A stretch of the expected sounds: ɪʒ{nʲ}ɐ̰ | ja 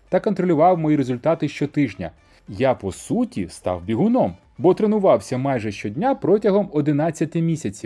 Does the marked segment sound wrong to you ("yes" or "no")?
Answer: no